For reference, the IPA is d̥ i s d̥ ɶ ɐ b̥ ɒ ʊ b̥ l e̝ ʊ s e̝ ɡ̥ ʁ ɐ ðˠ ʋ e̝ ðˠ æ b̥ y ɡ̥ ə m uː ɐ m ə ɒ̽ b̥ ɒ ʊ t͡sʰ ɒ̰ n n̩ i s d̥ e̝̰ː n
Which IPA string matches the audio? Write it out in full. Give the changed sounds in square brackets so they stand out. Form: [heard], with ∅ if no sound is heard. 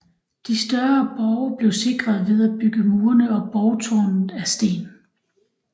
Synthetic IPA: d̥ i s d̥ ɶ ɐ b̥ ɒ ʊ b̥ l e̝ ʊ s e̝ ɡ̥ ʁ ɐ ðˠ ʋ e̝ ðˠ æ b̥ y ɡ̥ ə m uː ɐ [n] ə ɒ̽ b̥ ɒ ʊ t͡sʰ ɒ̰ n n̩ [æ] s d̥ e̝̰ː n